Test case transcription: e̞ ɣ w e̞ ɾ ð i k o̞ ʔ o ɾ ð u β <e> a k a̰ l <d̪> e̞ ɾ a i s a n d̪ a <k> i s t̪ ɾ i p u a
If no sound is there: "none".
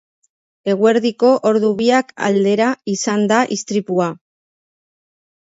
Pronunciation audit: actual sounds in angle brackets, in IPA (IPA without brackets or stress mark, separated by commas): i, d̪, ʔ